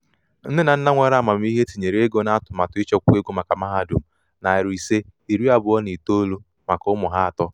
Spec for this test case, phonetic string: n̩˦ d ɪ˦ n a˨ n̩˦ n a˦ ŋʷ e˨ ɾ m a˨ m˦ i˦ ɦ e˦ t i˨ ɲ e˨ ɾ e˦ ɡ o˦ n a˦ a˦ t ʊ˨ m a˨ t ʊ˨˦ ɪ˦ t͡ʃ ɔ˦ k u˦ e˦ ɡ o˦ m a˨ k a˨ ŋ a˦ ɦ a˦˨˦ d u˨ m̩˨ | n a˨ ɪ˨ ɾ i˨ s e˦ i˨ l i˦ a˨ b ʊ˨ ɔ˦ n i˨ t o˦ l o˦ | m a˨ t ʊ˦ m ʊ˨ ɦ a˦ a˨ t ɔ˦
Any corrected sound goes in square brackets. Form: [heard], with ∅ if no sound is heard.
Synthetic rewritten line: n̩˦ d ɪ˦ n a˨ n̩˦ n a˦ ŋʷ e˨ ɾ m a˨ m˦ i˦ ɦ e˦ t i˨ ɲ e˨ ɾ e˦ ɡ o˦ n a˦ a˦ t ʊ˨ m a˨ t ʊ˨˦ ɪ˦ t͡ʃ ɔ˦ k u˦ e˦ ɡ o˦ m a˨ k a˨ [m] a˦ ɦ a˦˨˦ d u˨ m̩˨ | n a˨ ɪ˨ ɾ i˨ s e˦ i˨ [ɾ] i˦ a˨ b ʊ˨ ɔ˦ n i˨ t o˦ l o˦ | m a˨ [k] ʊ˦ m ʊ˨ ɦ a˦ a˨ t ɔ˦